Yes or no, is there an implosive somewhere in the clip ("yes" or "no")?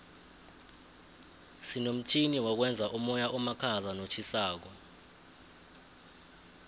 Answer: no